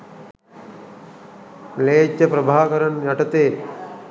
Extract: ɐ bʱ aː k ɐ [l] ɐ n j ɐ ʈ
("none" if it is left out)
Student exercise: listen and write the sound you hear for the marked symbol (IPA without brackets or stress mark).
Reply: ɾ